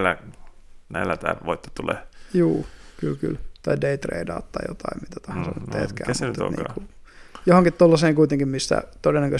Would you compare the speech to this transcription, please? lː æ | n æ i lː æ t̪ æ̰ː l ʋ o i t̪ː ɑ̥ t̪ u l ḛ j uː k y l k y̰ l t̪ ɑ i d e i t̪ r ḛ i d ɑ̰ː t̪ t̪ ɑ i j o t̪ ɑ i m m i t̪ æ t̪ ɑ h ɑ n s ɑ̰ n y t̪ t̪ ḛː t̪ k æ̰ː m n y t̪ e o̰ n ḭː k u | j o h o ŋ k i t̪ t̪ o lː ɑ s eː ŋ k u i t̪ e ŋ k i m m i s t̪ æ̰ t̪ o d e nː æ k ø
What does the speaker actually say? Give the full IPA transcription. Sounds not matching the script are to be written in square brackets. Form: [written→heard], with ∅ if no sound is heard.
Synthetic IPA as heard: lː æ | n æ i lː æ t̪ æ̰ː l ʋ o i t̪ː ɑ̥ t̪ u l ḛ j uː k y l k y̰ l t̪ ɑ i d e i t̪ r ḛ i d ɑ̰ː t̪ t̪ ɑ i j o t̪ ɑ i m m i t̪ æ t̪ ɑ h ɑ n s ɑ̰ n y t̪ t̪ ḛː t̪ k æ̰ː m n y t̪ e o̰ n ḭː k u | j o h o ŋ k i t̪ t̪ o lː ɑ s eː ŋ k u i t̪ e ŋ k i m m i s t̪ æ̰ t̪ o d e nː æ k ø